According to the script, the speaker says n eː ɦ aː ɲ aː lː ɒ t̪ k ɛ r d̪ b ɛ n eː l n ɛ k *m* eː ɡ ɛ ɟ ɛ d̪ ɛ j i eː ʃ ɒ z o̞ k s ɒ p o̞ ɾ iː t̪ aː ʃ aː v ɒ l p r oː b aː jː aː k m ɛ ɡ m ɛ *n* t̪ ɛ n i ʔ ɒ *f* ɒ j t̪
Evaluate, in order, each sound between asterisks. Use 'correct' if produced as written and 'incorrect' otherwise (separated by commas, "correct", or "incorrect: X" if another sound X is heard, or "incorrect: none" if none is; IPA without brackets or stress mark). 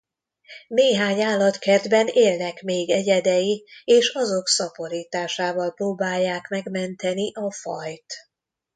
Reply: correct, correct, correct